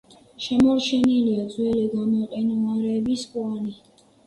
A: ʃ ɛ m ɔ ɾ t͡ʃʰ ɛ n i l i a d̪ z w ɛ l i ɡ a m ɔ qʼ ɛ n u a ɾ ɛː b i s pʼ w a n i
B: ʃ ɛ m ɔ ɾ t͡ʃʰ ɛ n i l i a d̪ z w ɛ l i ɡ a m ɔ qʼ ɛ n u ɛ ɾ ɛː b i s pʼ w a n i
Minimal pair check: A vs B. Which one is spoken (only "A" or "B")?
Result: A